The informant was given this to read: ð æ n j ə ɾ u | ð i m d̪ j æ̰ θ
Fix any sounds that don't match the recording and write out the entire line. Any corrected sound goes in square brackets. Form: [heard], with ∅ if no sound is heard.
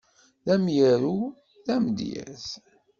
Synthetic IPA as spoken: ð æ [m] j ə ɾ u | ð [æ] m d̪ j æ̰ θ